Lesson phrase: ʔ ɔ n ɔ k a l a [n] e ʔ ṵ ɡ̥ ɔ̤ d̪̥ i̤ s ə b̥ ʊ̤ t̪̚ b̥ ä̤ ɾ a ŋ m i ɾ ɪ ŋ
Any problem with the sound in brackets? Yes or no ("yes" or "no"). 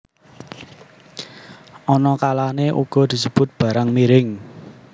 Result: no